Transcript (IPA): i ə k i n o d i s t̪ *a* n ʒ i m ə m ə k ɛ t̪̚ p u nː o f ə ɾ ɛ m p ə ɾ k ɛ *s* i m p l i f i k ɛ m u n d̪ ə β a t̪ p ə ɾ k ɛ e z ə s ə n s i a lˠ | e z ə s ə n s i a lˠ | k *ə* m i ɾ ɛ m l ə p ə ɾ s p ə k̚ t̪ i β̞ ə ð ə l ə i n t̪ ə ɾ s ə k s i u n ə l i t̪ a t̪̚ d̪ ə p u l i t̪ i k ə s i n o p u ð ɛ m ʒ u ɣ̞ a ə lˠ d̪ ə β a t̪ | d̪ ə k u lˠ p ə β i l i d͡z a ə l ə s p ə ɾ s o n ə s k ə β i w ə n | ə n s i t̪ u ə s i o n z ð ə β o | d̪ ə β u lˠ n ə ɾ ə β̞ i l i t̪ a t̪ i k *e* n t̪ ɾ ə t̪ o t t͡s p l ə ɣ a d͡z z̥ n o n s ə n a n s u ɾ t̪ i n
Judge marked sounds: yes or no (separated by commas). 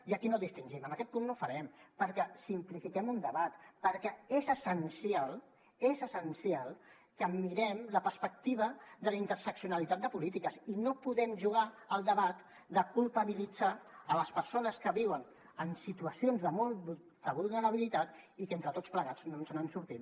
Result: no, yes, yes, yes